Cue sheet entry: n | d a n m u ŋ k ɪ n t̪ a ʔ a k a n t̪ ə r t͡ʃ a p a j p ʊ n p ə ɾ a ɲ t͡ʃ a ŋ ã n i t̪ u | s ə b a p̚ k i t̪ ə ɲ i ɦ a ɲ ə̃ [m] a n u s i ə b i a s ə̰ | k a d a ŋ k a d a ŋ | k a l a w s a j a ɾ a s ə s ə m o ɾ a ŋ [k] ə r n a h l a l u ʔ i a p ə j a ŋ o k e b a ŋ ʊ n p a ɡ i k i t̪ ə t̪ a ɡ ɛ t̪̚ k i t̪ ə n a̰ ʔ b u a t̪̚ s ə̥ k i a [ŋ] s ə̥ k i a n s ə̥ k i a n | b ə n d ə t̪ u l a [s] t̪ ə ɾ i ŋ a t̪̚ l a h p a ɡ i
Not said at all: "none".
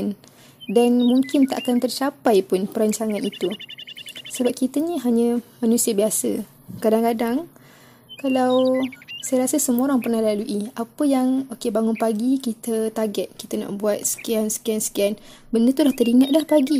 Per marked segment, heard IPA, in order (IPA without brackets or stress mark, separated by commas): m, p, n, h